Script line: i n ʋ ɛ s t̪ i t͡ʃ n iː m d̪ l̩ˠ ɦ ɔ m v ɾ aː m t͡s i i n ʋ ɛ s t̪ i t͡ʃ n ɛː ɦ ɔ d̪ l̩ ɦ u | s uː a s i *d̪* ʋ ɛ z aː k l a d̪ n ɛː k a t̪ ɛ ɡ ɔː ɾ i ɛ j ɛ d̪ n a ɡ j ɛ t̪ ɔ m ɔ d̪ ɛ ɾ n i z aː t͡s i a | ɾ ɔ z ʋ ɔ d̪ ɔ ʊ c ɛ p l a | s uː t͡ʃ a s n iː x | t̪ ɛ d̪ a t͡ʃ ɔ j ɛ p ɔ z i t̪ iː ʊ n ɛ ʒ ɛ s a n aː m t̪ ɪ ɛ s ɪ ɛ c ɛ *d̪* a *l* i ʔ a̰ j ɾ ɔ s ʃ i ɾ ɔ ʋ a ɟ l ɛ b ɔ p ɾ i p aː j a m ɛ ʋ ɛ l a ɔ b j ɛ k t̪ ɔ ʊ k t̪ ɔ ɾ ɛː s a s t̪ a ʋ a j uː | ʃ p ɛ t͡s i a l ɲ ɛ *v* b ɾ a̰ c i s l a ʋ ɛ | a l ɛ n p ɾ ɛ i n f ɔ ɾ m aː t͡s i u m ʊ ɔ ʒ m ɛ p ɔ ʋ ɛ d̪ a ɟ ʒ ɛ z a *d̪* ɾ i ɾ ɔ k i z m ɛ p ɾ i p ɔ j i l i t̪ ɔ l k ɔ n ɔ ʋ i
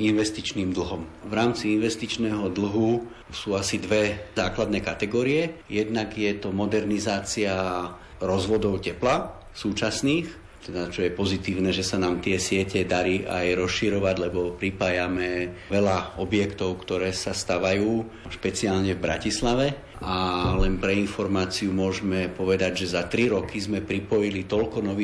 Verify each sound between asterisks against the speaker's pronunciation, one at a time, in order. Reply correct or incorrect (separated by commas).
correct, correct, incorrect, correct, incorrect